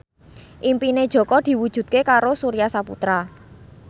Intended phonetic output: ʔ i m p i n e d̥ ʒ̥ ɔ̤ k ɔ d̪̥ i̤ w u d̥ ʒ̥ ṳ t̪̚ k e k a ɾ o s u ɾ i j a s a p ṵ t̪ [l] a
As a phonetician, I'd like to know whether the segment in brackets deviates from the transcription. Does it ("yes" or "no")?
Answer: yes